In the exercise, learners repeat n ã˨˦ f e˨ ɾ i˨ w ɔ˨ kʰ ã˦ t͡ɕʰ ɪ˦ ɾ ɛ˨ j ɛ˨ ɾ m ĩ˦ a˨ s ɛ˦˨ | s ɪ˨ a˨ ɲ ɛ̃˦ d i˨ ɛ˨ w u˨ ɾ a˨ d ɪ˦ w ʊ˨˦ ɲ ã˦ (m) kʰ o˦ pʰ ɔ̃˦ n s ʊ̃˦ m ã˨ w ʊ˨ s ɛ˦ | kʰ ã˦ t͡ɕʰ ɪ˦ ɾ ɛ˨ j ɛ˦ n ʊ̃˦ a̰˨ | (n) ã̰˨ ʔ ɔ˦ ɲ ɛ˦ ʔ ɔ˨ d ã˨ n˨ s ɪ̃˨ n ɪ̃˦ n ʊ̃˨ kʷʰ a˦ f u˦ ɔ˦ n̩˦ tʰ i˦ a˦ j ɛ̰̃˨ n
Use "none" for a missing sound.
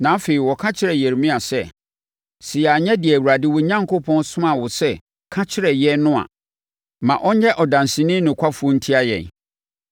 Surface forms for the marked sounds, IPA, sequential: ŋ, m

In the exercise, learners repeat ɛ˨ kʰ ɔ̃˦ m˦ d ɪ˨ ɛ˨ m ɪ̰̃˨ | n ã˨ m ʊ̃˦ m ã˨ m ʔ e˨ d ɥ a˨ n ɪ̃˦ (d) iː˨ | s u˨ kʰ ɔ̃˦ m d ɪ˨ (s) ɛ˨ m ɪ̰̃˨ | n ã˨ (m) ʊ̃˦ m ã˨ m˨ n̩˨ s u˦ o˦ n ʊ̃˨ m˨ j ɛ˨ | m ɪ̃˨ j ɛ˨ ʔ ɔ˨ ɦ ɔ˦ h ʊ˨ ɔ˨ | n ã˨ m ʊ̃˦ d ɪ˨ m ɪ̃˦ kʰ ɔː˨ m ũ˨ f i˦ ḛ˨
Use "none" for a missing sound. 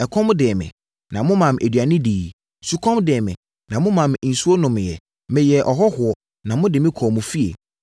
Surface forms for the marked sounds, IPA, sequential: d, none, m

